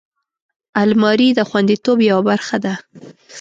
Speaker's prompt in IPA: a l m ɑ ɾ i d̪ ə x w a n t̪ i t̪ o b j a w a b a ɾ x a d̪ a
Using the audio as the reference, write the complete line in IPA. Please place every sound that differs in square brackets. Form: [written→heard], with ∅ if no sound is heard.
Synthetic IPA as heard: a l m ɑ ɾ i d̪ ə x w a n [t̪→d̪] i t̪ o b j a w a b a ɾ x a d̪ a